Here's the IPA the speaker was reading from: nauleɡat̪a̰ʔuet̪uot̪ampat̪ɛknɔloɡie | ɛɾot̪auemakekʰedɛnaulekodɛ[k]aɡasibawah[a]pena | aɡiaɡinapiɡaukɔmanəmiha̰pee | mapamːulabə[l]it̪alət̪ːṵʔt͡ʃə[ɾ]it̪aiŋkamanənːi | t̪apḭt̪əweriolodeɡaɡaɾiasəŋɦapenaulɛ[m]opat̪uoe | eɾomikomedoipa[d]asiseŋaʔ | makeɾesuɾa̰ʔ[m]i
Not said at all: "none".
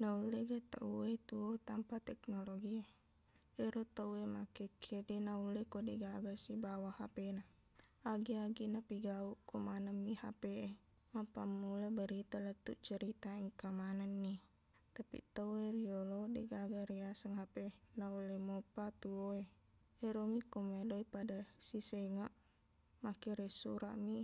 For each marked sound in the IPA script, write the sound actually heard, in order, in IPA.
ɡ, a, ɾ, ɾ, m, d, m

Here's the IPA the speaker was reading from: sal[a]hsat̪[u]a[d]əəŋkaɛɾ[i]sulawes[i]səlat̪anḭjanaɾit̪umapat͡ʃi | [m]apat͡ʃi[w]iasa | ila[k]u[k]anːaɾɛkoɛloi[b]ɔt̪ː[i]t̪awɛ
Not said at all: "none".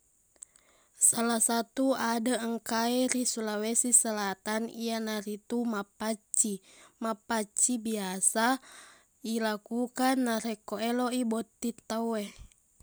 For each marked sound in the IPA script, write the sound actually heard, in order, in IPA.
a, u, d, i, i, m, b, k, k, b, i

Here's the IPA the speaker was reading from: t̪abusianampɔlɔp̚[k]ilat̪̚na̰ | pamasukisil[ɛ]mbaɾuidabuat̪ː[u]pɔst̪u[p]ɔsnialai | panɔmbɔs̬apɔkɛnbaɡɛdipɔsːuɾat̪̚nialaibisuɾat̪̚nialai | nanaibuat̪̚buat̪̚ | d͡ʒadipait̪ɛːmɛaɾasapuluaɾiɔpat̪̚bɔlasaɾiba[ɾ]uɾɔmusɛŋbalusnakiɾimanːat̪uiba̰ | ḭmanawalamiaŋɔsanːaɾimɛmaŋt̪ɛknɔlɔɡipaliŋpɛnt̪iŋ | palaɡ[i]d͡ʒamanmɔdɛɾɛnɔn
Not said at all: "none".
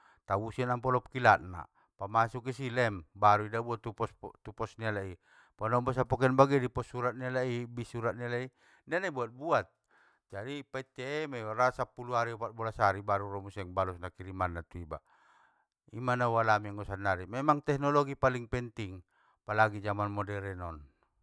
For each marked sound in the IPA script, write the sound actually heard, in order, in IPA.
k, ɛ, u, p, ɾ, i

